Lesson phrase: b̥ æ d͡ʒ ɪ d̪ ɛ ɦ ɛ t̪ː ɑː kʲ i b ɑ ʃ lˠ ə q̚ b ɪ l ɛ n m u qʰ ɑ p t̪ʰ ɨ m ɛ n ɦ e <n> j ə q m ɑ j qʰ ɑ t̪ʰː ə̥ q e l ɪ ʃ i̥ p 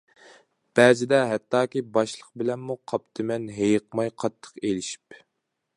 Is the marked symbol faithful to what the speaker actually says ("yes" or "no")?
no